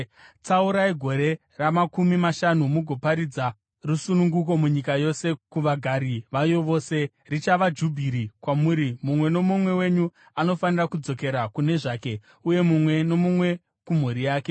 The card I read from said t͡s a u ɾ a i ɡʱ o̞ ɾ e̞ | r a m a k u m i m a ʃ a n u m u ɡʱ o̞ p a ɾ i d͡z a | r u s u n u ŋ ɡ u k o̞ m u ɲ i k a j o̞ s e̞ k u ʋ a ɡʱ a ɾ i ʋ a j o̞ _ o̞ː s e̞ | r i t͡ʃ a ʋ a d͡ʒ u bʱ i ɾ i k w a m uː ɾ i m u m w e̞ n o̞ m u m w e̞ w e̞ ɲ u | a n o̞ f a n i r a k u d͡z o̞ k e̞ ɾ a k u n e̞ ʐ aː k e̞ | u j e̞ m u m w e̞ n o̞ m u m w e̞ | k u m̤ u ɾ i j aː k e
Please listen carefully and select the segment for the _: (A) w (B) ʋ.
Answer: B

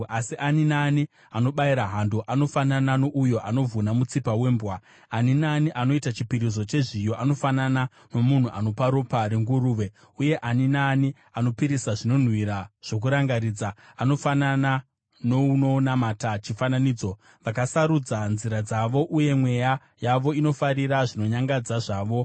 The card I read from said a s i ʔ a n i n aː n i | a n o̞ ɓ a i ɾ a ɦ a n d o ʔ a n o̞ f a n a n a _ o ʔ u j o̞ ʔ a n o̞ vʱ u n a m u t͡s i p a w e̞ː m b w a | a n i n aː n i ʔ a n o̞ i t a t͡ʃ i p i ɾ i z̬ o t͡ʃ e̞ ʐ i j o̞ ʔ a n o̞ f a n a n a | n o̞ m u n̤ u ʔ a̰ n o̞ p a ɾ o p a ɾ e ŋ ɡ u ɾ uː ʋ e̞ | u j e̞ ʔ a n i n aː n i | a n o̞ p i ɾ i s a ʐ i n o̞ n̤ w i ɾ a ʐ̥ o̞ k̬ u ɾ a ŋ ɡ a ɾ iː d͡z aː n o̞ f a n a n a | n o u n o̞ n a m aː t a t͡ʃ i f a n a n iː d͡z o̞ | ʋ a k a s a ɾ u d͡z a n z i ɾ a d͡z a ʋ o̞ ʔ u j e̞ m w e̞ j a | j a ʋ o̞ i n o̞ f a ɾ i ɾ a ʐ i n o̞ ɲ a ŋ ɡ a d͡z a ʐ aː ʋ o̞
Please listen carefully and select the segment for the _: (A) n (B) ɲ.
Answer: A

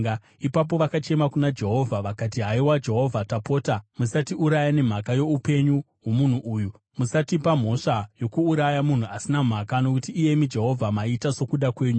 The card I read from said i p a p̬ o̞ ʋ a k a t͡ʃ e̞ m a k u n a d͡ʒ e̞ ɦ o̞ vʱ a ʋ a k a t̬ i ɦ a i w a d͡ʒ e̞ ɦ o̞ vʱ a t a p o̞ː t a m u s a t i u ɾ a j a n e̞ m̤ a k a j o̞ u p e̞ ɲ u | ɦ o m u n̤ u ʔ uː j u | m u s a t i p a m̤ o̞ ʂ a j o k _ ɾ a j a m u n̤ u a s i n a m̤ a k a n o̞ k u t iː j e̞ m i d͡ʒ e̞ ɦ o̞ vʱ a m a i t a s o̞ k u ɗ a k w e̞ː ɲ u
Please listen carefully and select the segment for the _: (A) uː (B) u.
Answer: A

